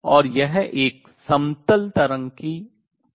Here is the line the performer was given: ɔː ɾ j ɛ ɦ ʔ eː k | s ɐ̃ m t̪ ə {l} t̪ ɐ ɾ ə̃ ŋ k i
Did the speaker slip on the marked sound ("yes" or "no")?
no